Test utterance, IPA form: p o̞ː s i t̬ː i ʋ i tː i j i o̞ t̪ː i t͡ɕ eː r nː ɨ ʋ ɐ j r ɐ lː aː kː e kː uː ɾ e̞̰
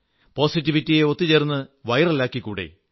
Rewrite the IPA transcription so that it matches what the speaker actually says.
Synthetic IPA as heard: p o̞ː s i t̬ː i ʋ i tː i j e o̞ t̪ː i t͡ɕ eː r nː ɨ ʋ ɐ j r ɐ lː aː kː i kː uː ɽ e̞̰